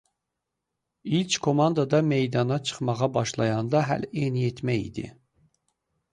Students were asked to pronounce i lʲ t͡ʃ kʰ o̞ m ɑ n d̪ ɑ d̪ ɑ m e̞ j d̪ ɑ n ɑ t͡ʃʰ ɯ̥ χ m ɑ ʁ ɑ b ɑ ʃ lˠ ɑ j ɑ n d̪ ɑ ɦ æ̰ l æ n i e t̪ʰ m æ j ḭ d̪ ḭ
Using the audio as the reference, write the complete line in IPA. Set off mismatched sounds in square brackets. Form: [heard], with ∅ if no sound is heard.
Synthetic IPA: i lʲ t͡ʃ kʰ o̞ m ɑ n d̪ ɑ d̪ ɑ m e̞ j d̪ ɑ n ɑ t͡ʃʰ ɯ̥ χ m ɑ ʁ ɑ b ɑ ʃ lˠ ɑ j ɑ n d̪ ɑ ɦ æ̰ l [e] n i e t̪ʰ m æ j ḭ d̪ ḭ